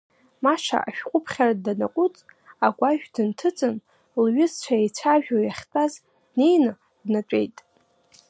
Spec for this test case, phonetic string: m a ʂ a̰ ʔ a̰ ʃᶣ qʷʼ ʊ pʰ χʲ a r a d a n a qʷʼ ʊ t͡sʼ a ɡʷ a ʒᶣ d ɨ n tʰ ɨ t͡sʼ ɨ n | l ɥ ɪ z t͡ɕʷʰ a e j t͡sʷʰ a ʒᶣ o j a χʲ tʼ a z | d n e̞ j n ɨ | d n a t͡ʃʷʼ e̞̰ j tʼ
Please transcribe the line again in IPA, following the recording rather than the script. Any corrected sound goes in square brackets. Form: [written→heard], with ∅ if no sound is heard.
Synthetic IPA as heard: m a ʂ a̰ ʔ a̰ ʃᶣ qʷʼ ʊ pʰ χʲ a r a d a n a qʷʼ ʊ t͡sʼ a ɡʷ a ʒᶣ d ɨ n tʰ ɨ t͡sʼ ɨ n | l ɥ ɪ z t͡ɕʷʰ a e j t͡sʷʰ a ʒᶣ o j a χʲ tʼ a z | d n e̞ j n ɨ | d n a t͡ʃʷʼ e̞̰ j tʼ